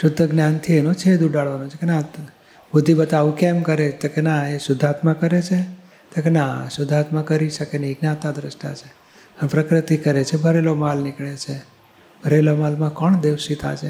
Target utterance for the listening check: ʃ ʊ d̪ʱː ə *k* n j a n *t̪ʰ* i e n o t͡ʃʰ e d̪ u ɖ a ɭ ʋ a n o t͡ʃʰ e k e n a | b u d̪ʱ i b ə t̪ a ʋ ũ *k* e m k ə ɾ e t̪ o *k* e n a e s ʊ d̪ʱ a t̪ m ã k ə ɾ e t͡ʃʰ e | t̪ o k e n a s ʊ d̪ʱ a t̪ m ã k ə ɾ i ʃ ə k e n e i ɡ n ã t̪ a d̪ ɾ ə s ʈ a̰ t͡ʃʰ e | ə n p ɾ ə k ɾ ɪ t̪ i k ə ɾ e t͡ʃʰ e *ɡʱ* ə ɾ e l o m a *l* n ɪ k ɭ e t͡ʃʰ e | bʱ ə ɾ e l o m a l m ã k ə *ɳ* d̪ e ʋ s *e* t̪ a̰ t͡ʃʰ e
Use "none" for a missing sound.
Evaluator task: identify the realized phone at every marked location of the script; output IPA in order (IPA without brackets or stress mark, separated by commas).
ɡ, t̪ʰ, k, k, bʱ, l, ɳ, i